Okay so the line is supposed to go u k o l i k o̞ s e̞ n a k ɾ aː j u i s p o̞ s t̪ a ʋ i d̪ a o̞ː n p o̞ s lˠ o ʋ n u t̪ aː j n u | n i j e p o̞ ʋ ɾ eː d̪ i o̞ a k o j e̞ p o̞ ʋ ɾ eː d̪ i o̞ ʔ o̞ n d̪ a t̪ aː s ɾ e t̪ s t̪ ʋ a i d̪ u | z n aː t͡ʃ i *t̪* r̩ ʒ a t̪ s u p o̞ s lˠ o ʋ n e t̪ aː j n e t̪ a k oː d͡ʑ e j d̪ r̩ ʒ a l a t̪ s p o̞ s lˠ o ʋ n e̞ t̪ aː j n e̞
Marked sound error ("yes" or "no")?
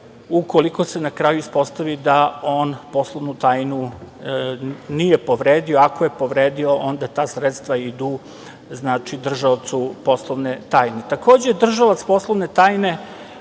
yes